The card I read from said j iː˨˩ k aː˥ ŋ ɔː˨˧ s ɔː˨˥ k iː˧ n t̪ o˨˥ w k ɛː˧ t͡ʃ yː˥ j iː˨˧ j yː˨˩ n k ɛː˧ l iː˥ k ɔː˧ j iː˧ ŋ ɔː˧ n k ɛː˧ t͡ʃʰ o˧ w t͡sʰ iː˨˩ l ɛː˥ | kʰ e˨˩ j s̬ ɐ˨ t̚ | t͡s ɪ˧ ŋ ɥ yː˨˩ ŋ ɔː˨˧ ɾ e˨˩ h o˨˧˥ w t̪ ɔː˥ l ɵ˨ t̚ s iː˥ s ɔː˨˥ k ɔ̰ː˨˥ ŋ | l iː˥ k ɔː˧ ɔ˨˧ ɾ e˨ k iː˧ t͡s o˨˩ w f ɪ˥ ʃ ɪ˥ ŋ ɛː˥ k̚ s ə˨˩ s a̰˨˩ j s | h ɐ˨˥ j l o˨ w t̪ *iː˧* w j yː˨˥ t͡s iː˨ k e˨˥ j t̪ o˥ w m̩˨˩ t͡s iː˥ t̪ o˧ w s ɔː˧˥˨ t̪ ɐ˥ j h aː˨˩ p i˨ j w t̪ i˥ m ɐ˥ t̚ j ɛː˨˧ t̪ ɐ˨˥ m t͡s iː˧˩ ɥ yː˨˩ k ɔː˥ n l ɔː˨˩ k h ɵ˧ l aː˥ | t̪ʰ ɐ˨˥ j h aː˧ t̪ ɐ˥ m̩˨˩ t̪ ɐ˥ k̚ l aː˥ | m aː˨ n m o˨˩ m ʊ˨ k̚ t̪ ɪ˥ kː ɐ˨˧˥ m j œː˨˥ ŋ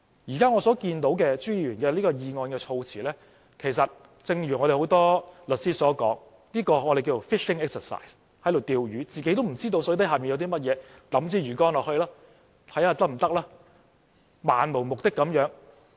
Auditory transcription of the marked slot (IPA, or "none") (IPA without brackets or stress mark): iː˧